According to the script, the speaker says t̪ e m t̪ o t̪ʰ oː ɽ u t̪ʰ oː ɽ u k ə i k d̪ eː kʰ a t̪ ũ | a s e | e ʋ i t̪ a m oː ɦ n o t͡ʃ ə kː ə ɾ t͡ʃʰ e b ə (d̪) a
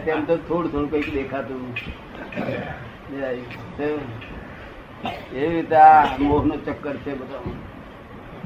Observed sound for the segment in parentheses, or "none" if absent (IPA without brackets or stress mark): t̪